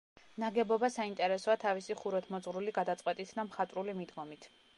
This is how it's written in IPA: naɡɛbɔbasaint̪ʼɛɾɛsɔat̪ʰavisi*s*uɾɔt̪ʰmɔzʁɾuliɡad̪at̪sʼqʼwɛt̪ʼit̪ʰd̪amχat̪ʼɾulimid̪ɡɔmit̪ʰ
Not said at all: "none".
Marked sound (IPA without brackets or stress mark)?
χ